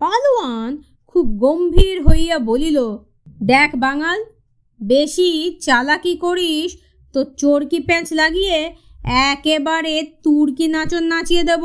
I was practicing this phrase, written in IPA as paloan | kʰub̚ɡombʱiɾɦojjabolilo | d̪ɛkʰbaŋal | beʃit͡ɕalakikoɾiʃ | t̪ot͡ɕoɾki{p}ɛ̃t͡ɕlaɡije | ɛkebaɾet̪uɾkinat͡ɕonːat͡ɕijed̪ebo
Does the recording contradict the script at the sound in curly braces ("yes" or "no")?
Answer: no